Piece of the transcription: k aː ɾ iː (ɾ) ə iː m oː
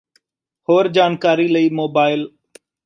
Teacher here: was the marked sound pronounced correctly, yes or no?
no